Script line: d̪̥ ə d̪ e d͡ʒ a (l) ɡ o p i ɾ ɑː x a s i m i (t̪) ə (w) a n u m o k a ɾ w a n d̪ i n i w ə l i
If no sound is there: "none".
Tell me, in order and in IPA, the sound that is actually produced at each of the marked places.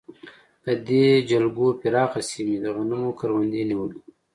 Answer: l, d̪, ɣ

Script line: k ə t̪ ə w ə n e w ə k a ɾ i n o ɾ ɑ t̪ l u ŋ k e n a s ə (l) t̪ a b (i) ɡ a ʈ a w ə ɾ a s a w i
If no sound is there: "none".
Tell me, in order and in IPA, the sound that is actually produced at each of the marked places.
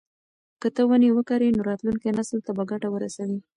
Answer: l, a

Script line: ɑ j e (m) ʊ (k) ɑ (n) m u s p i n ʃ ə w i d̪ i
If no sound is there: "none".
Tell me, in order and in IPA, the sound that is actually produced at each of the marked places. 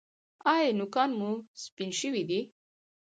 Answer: n, k, n

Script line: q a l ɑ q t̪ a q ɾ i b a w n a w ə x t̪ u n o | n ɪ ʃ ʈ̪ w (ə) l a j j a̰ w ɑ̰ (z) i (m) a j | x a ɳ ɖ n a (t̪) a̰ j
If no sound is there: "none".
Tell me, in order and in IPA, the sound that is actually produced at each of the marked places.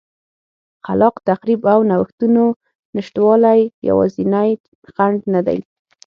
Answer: ɑ, z, n, d̪

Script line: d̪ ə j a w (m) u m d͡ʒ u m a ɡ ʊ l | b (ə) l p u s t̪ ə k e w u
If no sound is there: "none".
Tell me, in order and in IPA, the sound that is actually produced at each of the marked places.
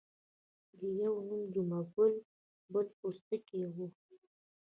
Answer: n, ə

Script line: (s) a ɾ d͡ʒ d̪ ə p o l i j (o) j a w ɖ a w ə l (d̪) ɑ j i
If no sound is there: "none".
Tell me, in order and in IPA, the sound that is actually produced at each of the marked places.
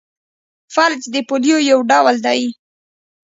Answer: f, o, d̪

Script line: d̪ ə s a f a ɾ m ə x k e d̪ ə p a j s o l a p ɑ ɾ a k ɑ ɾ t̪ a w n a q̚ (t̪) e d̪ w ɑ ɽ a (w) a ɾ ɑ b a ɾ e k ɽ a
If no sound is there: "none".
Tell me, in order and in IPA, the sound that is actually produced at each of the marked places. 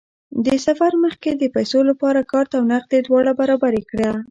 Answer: d̪, b

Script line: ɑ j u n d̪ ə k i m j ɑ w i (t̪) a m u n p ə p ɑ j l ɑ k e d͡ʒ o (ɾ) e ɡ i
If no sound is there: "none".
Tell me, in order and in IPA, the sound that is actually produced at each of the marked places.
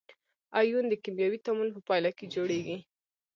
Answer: t̪, ɽ

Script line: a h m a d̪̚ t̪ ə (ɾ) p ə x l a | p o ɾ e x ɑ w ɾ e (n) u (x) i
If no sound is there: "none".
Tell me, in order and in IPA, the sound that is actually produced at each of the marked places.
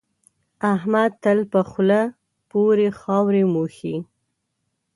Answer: l, m, x

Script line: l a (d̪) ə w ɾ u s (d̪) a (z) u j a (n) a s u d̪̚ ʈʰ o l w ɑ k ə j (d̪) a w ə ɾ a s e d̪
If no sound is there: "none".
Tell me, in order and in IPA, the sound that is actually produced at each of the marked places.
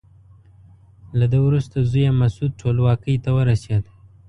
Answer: d̪, t̪, z, m, t̪

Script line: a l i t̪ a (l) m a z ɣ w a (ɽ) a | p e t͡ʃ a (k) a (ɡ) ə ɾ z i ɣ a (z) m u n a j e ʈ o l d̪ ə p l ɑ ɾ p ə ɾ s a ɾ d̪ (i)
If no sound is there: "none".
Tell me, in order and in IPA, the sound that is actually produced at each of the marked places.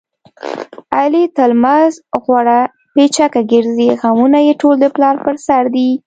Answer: l, ɽ, k, ɡ, none, i

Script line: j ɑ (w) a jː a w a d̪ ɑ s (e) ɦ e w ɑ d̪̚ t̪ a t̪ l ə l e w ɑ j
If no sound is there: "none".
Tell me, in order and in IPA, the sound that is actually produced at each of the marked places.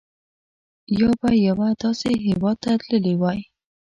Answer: b, e

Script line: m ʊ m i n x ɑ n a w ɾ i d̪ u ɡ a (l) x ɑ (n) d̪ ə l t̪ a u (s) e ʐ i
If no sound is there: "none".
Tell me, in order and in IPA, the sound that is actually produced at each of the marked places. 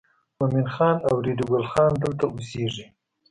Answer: l, n, s

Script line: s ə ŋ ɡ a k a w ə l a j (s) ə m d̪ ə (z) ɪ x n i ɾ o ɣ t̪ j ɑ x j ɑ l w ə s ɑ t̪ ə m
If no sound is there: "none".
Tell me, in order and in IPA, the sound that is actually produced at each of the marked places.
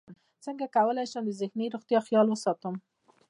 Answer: ʃ, z

